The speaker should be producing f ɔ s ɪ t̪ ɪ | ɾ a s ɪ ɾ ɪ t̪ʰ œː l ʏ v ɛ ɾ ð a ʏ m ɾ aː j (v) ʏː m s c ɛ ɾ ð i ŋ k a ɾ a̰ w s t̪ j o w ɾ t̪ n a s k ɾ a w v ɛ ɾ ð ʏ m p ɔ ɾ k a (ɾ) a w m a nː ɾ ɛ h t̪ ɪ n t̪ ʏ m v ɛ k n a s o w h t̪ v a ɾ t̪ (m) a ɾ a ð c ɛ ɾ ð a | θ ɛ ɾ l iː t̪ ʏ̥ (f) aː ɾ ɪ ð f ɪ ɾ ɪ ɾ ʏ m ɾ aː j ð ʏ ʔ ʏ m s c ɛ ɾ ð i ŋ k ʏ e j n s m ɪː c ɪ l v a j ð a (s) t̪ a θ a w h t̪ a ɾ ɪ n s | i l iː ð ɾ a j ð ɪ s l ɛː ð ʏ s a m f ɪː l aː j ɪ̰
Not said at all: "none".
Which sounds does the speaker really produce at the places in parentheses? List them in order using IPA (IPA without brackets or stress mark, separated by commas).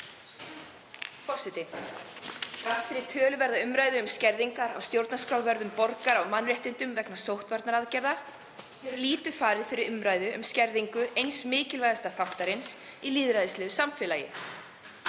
ð, ɾ, n, f, s